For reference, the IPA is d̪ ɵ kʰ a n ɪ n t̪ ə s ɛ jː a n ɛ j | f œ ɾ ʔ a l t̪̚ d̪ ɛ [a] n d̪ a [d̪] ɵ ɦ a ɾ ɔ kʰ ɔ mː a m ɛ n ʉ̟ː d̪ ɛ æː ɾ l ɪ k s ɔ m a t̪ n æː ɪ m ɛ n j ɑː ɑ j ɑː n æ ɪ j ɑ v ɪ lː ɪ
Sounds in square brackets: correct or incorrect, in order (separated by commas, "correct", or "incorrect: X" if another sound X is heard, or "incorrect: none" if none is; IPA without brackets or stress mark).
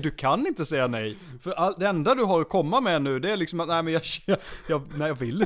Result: incorrect: ɛ, correct